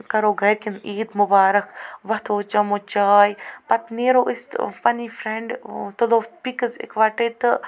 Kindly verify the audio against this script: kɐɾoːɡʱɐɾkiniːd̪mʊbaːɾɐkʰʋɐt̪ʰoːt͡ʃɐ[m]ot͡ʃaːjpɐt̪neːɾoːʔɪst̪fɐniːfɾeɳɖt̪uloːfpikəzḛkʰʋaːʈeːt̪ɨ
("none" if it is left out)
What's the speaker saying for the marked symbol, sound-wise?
m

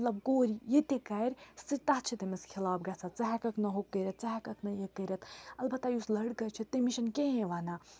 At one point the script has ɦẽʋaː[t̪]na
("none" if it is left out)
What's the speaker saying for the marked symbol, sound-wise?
none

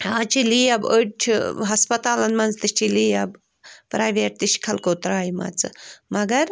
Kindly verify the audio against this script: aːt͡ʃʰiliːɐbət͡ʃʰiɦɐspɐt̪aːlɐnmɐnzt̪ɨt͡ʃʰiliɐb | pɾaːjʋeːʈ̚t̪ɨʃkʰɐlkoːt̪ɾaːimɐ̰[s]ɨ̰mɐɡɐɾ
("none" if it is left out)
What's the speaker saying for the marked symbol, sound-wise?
t͡s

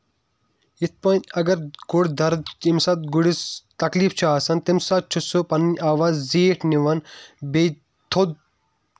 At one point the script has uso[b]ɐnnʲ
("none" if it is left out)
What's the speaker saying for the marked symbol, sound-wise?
p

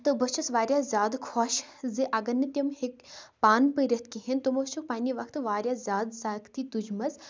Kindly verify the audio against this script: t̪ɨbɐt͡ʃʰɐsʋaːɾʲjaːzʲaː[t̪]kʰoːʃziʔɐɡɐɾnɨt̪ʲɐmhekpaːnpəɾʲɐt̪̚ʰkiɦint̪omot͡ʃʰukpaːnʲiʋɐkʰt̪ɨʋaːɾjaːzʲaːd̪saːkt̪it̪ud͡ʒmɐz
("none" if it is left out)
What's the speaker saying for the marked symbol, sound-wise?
d̪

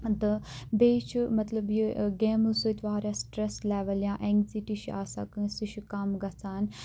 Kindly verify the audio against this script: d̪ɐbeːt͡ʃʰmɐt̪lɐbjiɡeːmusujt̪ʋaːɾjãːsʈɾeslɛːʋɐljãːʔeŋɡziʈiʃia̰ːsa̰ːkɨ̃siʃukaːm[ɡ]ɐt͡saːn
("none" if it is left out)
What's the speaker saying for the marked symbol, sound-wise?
ɡ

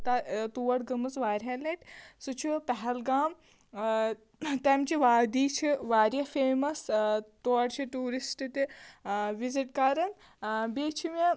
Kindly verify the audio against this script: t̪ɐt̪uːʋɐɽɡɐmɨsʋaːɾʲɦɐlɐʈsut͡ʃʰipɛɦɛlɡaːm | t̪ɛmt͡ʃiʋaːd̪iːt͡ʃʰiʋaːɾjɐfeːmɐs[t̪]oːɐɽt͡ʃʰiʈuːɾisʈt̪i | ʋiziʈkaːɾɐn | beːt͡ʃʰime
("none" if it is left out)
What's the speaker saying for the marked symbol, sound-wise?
t̪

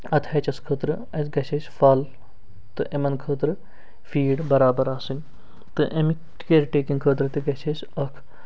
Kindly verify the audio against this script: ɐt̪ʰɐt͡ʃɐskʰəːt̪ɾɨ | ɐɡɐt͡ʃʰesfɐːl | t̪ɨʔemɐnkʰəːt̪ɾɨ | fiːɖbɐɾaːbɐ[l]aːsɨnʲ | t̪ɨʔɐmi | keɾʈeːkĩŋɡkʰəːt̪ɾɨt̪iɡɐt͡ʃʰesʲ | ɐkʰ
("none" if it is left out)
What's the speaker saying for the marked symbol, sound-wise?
ɾ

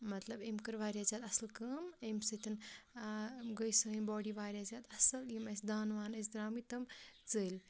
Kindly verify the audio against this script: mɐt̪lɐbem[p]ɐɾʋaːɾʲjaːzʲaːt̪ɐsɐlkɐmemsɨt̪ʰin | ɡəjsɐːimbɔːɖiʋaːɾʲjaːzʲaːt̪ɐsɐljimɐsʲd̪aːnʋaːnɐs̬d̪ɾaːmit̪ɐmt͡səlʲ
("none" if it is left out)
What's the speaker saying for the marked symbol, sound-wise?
k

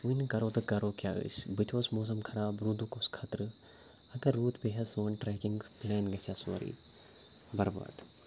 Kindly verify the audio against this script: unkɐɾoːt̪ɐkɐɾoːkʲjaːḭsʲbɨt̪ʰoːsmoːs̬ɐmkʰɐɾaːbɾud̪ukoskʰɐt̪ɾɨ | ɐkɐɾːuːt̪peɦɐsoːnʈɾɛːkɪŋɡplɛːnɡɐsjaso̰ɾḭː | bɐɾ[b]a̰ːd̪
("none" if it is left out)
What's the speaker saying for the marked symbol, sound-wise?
b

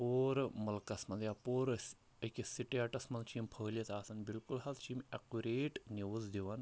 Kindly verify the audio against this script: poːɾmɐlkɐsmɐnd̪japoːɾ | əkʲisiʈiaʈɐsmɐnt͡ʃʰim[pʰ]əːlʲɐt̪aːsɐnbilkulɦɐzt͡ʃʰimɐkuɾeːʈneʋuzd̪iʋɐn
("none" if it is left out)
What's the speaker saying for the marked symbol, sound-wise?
pʰ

